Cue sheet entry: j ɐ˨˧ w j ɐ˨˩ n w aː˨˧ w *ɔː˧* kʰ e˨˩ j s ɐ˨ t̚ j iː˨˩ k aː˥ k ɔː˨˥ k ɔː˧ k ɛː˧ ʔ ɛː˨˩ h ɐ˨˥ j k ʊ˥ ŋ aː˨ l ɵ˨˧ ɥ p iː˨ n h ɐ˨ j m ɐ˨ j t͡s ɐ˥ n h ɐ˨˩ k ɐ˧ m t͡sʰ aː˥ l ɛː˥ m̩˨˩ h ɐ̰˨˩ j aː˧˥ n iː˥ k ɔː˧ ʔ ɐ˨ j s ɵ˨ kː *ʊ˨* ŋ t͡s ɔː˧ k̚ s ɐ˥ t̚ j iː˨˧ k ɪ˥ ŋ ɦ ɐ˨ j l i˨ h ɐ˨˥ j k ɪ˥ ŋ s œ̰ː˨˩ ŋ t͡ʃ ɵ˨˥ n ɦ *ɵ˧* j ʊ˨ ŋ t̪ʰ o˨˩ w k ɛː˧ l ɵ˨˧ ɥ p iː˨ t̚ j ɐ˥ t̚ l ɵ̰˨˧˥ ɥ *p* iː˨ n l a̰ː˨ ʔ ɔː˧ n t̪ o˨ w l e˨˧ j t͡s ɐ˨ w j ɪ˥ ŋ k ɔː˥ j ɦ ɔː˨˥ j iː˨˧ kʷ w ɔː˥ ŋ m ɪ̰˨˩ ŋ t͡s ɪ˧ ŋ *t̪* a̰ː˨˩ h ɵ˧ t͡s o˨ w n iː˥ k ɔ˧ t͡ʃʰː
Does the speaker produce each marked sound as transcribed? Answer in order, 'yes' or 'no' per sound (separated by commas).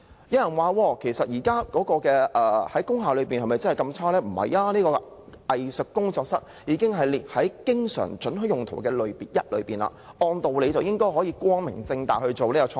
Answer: yes, no, no, yes, yes